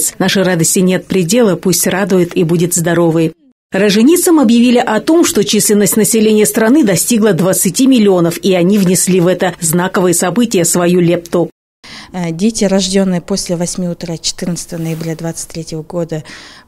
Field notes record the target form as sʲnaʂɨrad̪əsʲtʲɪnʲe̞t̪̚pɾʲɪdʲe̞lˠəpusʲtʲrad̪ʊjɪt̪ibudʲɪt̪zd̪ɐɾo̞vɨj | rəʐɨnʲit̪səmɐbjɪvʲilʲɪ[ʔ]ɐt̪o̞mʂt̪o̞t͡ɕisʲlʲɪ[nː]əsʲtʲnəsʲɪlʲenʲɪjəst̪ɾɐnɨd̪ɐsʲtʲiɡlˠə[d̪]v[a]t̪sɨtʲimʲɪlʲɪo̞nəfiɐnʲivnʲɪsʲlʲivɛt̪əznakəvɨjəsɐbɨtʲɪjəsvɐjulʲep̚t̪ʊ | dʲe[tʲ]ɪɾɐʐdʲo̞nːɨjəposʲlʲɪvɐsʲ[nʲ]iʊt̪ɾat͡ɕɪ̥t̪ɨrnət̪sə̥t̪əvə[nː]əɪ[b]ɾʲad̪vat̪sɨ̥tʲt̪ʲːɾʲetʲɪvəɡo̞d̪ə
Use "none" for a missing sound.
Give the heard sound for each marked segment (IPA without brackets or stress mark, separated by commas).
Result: ʔ, n, d̪, ə, tʲ, mʲ, n, b